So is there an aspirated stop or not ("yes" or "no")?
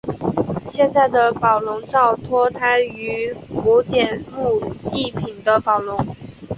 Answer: yes